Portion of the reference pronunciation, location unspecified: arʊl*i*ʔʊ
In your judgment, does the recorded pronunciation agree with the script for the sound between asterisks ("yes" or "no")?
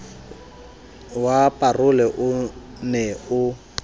no